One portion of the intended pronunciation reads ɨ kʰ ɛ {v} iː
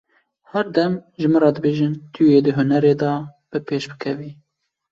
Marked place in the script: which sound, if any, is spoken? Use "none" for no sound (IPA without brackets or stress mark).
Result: v